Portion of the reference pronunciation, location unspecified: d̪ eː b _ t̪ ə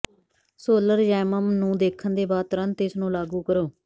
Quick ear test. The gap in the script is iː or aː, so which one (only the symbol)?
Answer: aː